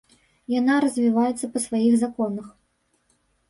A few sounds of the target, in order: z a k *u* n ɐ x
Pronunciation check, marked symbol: incorrect: ɔ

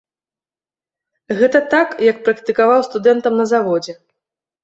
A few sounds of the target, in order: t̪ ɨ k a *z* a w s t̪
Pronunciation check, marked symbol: incorrect: v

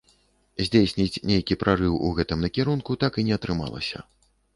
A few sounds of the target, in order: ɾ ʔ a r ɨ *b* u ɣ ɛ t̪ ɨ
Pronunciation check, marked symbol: incorrect: w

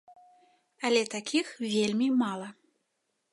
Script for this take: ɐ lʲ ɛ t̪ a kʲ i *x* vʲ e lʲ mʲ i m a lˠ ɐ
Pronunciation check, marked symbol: correct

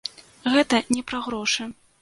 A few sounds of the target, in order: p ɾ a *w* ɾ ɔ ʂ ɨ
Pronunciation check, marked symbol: incorrect: ɣ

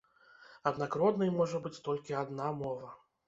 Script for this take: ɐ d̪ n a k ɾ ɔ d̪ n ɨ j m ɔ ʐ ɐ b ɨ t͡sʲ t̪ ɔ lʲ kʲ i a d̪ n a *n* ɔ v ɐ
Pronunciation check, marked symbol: incorrect: m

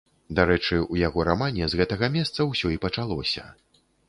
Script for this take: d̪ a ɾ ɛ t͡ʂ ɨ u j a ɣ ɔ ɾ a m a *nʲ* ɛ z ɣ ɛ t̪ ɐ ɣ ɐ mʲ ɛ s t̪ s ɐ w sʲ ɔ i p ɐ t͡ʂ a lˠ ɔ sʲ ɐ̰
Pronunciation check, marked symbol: correct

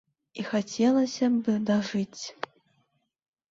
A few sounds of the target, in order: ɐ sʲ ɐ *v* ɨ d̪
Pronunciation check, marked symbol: incorrect: b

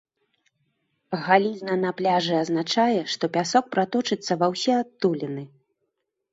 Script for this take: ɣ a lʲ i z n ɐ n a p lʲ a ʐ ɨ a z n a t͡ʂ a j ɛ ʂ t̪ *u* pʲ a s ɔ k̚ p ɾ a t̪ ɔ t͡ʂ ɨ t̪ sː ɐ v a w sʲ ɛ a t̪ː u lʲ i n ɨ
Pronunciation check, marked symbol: incorrect: ɔ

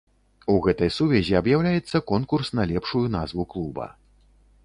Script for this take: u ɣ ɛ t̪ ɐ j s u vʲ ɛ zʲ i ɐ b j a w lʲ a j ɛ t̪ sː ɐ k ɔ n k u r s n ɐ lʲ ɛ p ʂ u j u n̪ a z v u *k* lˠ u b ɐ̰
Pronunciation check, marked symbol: correct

